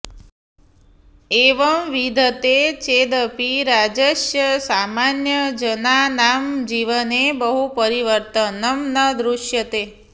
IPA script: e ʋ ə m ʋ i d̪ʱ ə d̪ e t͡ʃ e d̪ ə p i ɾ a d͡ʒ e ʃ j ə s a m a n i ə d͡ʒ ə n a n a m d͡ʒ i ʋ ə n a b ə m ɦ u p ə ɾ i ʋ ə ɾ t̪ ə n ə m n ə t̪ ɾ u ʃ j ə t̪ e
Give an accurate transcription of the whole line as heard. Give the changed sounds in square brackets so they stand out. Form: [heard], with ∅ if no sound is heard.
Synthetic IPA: e ʋ ə m ʋ i d̪ʱ ə [t̪] e t͡ʃ e d̪ ə p i ɾ a d͡ʒ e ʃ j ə s a m a n [j] ə d͡ʒ ə n a n a m d͡ʒ i ʋ ə n [e] b ə [∅] ɦ u p ə ɾ i ʋ ə ɾ t̪ ə n ə m n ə [d̪] ɾ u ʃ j ə t̪ e